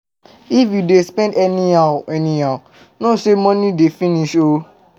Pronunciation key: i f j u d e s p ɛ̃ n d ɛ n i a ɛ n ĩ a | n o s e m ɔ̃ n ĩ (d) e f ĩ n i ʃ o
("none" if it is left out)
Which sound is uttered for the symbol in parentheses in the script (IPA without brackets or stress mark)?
d